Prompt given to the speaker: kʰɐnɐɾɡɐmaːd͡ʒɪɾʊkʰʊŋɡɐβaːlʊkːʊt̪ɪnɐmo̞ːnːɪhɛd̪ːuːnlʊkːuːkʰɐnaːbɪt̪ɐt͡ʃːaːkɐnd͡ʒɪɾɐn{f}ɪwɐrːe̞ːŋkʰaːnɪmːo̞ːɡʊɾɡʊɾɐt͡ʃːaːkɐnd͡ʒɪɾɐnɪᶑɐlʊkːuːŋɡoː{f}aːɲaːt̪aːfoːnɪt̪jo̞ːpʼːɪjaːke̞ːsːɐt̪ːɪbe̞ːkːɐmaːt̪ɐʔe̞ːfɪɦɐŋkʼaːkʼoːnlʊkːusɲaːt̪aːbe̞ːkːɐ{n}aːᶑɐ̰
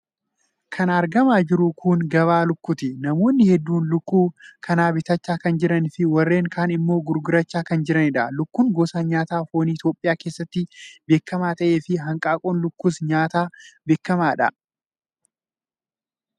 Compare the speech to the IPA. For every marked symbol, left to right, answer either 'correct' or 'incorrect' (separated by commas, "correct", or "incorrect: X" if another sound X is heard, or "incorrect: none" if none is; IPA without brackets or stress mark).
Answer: correct, incorrect: s, incorrect: m